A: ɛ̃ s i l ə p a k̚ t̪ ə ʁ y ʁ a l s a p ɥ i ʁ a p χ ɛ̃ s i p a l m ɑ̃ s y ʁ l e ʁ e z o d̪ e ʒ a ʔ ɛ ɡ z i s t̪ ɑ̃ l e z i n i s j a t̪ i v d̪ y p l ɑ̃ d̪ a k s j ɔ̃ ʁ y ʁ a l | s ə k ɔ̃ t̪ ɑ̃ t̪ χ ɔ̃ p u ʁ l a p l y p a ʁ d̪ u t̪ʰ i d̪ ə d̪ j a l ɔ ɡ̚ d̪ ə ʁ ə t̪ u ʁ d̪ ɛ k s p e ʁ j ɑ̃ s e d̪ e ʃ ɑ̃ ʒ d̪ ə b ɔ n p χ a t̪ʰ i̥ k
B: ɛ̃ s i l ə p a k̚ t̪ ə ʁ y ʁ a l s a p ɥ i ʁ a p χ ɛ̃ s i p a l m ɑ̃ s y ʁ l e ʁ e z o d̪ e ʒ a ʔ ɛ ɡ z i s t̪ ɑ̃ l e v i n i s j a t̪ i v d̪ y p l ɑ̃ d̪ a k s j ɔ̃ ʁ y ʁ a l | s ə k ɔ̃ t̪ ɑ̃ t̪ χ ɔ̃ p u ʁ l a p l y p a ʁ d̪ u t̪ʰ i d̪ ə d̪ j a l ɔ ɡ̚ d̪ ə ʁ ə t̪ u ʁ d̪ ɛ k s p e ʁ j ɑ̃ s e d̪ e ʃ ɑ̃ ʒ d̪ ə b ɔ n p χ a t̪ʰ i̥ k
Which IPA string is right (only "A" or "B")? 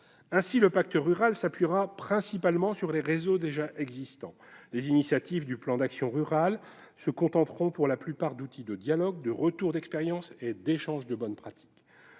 A